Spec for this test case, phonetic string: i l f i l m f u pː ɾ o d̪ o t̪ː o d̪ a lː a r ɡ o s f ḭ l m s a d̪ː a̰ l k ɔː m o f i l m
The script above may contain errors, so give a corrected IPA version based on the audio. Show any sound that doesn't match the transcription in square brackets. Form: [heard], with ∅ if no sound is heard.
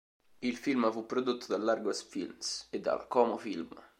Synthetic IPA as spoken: i l f i l m f u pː ɾ o d̪ o t̪ː o d̪ a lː a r ɡ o s f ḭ l m s [e] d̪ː a̰ l k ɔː m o f i l m